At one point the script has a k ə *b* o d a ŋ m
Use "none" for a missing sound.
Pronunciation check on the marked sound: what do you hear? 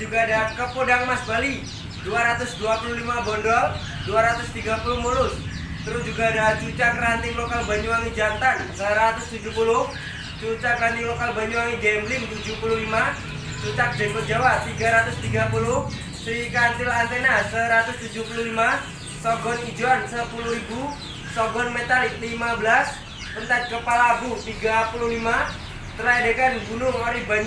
p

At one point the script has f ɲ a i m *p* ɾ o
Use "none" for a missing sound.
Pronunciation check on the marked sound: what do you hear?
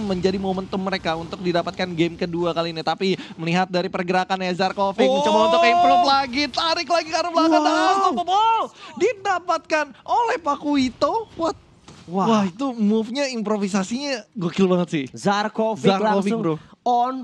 p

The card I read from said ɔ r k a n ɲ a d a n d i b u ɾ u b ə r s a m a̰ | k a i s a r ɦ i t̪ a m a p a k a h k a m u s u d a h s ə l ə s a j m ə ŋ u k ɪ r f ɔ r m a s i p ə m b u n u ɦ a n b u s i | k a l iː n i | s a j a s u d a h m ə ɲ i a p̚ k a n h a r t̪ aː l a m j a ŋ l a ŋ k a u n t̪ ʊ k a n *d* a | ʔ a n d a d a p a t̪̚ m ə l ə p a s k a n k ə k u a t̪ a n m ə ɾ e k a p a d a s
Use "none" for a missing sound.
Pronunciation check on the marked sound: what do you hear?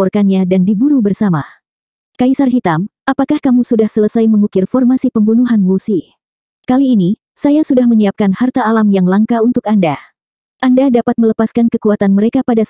d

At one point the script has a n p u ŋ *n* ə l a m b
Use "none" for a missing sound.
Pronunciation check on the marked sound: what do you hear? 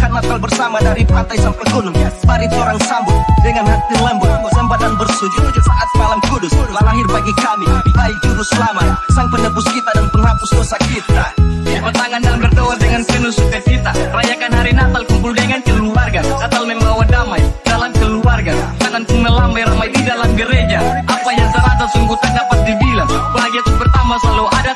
n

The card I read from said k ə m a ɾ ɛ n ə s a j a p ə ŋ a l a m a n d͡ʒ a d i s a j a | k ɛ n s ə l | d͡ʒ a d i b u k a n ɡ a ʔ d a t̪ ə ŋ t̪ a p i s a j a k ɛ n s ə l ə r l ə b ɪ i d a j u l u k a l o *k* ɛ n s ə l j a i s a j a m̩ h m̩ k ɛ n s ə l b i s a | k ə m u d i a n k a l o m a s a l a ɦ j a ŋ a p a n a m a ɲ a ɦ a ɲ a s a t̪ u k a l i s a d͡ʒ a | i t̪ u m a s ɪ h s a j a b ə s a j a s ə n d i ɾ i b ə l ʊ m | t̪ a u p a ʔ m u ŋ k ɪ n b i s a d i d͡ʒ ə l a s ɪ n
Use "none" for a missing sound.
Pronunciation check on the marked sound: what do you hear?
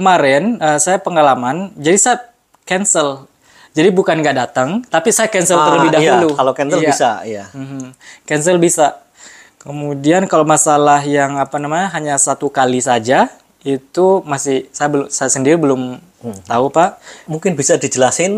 k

